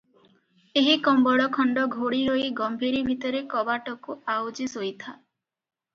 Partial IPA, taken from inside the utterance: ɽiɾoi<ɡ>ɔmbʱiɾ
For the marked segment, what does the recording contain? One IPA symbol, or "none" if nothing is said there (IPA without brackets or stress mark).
ɡ